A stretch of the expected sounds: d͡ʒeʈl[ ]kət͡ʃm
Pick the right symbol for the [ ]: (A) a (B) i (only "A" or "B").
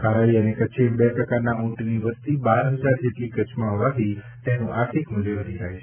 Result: B